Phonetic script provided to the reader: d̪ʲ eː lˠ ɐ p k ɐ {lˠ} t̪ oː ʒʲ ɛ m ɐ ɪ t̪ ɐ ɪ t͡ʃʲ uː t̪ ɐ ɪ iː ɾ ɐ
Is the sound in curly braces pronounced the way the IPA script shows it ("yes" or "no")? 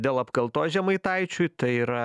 yes